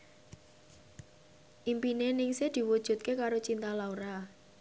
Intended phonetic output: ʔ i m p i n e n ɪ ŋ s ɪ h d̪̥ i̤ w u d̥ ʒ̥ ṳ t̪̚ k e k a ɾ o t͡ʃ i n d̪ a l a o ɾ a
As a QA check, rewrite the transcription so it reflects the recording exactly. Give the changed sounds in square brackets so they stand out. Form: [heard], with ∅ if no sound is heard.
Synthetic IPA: ʔ i m p i n e n ɪ ŋ s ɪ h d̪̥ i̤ w u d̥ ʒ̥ ṳ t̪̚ k e k a ɾ o t͡ʃ i n [t̪] a l a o ɾ a